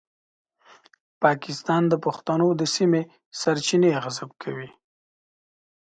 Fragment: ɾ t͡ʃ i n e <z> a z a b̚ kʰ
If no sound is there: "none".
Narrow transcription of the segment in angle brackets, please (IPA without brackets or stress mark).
ɣ